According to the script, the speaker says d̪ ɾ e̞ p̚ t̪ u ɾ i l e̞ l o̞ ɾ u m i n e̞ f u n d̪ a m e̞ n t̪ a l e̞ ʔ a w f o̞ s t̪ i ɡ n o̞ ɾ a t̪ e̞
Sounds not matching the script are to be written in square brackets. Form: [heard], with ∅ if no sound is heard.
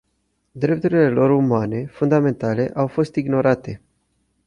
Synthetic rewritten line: d̪ ɾ e̞ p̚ t̪ u ɾ i l e̞ l o̞ ɾ u m [a] n e̞ f u n d̪ a m e̞ n t̪ a l e̞ ʔ a w f o̞ s t̪ i ɡ n o̞ ɾ a t̪ e̞

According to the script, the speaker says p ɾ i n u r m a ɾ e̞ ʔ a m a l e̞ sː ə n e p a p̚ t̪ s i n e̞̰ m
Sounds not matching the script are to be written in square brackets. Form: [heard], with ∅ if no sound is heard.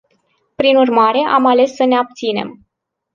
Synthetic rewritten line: p ɾ i n u r m a ɾ e̞ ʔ a m a l e̞ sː ə n e [∅] a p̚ t̪ s i n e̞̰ m

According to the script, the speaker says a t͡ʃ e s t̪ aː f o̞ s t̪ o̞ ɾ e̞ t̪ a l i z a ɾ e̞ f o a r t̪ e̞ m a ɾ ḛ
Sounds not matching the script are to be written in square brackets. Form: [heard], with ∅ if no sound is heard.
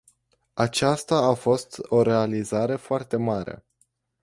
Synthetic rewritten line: a t͡ʃ [a] s t̪ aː f o̞ s t̪ o̞ ɾ e̞ [∅] a l i z a ɾ e̞ f o a r t̪ e̞ m a ɾ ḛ

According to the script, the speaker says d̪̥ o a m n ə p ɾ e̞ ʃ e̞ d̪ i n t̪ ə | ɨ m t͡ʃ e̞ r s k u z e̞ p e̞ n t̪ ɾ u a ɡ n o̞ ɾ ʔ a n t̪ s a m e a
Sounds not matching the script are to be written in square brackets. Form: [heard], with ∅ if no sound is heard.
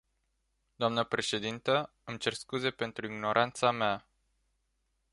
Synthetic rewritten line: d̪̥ o a m n ə p ɾ e̞ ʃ e̞ d̪ i n t̪ ə | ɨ m t͡ʃ e̞ r s k u z e̞ p e̞ n t̪ ɾ u [i] ɡ n o̞ ɾ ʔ a n t̪ s a m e a

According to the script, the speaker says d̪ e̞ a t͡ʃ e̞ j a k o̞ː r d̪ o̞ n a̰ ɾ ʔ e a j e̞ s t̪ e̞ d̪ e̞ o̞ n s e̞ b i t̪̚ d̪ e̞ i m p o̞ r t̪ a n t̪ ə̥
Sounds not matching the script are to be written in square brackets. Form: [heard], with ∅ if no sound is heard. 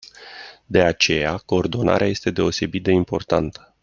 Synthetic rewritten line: d̪ e̞ a t͡ʃ e̞ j a k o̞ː r d̪ o̞ n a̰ ɾ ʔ e a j e̞ s t̪ e̞ d̪ e̞ o̞ [∅] s e̞ b i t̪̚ d̪ e̞ i m p o̞ r t̪ a n t̪ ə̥

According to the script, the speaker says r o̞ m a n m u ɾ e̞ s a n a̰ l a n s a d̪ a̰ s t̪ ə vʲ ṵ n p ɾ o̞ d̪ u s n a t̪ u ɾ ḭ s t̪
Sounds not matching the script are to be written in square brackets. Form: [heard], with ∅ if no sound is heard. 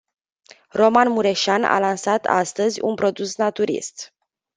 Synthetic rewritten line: r o̞ m a n m u ɾ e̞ [ʃ] a n a̰ l a n s a [t̪] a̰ s t̪ ə [zʲ] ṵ n p ɾ o̞ d̪ u s n a t̪ u ɾ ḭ s t̪

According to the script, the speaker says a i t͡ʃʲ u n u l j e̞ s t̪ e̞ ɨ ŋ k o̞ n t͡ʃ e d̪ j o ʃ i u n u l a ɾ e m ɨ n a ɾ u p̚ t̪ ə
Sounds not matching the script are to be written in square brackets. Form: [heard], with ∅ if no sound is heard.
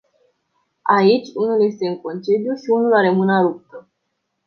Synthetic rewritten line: a i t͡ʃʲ u n u l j e̞ s t̪ e̞ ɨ ŋ k o̞ n t͡ʃ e d̪ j [u] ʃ i u n u l a ɾ e m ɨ n a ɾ u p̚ t̪ ə

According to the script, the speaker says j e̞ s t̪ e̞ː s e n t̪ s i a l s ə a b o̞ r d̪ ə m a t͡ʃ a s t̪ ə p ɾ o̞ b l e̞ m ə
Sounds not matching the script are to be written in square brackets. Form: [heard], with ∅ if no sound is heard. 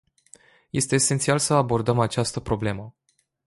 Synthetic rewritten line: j e̞ s t̪ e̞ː s e n t̪ s i a l s ə a b o̞ r d̪ ə m a t͡ʃ a s t̪ ə p ɾ o̞ b l e̞ m ə

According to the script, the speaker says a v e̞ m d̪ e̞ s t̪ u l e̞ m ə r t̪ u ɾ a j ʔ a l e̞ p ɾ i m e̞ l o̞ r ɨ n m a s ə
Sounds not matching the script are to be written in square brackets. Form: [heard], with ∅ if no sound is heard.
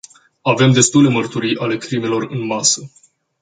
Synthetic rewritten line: a v e̞ m d̪ e̞ s t̪ u l e̞ m ə r t̪ u ɾ [i] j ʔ a l e̞ [k] ɾ i m e̞ l o̞ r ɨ n m a s ə

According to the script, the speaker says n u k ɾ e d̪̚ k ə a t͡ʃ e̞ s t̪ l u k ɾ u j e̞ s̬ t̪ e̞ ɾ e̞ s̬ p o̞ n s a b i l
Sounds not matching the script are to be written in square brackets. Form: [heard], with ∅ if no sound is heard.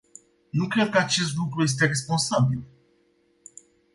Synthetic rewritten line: n u k ɾ e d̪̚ k ə a t͡ʃ e̞ s t̪ l u k ɾ u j e̞ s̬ t̪ e̞ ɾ e̞ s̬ p o̞ n s a b i l

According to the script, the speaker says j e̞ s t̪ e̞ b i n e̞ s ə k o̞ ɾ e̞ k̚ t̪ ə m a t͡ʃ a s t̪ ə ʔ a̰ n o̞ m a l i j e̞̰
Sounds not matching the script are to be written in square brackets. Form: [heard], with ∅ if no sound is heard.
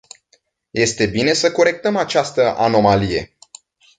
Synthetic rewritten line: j e̞ s t̪ e̞ b i n e̞ s ə k o̞ ɾ e̞ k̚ t̪ ə m a t͡ʃ a s t̪ ə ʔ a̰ n o̞ m a l i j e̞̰

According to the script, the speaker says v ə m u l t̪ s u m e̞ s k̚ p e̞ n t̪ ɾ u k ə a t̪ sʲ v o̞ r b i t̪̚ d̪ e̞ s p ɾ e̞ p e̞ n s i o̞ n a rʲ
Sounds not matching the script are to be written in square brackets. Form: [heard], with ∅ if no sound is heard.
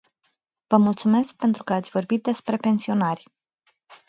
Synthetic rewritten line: v ə m u l t̪ s u m e̞ s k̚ p e̞ n t̪ ɾ u k ə a t̪ sʲ v o̞ r b i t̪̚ d̪ e̞ s p ɾ e̞ p e̞ n s i o̞ n a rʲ

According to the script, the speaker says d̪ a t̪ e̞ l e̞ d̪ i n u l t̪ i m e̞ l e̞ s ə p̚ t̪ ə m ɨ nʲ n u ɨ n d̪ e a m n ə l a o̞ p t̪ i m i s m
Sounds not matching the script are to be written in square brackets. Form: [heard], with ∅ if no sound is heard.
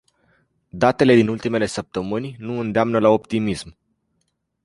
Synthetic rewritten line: d̪ a t̪ e̞ l e̞ d̪ i n u l t̪ i m e̞ l e̞ s ə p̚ t̪ ə m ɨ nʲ n u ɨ n d̪ e a m n ə l a o̞ p t̪ i m i s m

